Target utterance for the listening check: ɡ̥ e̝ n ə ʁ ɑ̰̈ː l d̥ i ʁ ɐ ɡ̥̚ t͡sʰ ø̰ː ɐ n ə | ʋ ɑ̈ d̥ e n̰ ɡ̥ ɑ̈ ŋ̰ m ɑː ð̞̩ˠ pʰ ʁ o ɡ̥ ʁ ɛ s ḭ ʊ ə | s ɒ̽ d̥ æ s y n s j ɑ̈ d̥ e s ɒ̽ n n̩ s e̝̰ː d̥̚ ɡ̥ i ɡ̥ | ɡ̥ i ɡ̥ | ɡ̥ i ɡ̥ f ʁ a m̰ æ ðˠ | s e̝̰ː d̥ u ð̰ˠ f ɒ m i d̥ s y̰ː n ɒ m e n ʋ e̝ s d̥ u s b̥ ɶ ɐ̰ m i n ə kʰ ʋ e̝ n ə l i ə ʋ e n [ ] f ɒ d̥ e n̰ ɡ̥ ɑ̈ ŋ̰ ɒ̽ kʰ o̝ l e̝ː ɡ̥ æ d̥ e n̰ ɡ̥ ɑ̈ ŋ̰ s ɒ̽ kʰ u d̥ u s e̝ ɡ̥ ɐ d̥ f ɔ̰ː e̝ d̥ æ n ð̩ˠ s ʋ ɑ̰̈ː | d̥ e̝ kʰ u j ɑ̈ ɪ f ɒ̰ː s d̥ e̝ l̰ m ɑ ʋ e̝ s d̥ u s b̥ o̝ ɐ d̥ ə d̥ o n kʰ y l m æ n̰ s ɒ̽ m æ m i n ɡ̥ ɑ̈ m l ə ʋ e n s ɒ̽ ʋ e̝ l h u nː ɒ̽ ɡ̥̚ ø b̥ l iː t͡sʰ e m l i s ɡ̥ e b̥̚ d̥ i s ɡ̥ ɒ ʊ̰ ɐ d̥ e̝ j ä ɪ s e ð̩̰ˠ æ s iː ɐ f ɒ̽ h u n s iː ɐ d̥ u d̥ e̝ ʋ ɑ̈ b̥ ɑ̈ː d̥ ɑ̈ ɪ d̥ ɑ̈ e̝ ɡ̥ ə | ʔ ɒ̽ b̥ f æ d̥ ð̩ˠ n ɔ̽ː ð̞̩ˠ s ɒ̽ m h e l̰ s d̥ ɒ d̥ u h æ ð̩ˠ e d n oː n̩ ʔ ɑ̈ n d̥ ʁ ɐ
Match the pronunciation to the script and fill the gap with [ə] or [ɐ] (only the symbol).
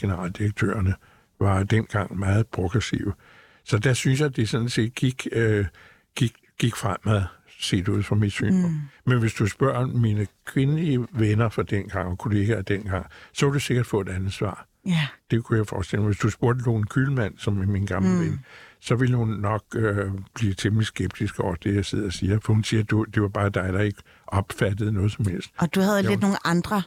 ɐ